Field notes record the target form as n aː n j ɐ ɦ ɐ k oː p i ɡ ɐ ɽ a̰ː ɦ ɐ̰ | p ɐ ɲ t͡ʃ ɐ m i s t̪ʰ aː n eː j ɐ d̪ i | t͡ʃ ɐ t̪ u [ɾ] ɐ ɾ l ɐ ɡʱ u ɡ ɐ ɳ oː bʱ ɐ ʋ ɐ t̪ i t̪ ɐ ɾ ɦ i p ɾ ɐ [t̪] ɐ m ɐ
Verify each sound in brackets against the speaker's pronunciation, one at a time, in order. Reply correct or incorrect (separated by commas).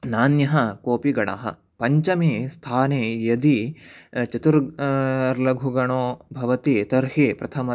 correct, incorrect